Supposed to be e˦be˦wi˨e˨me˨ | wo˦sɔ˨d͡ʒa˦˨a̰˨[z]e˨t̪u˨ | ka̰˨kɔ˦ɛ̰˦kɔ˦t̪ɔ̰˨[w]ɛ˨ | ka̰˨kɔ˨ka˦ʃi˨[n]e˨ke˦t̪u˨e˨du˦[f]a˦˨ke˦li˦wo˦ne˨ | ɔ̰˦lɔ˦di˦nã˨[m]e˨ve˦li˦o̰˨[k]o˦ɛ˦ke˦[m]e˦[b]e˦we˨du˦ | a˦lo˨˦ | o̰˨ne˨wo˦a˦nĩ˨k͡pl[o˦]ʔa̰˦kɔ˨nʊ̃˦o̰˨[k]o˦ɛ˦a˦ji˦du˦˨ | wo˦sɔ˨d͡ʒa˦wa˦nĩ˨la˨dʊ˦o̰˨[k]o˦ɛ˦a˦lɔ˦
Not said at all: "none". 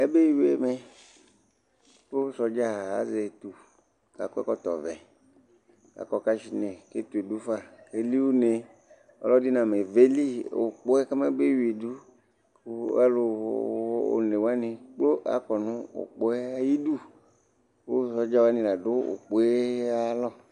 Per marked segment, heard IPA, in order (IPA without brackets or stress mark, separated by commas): z, v, n, f, m, k͡p, m, b, o˦, k͡p, k͡p